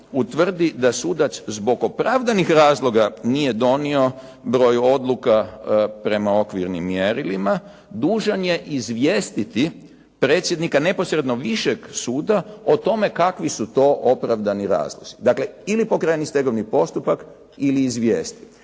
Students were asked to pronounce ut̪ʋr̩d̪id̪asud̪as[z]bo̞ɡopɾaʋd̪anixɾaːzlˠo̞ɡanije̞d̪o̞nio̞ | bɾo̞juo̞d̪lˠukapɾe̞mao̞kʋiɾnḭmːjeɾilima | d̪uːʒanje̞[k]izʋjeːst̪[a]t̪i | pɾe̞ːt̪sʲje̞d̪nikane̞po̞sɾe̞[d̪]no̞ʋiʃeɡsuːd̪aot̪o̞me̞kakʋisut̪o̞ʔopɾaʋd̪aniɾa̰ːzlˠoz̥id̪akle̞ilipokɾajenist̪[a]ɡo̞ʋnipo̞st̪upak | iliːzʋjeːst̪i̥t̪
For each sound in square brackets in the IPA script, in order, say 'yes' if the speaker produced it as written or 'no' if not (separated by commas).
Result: yes, no, no, yes, no